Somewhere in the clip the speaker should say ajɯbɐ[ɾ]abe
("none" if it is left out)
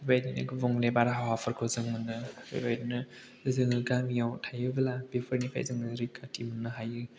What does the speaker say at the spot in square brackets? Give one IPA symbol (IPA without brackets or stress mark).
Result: l